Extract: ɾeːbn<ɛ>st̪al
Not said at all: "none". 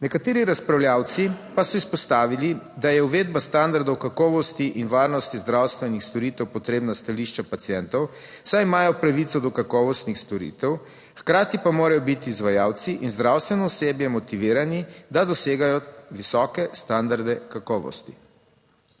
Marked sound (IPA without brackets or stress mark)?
a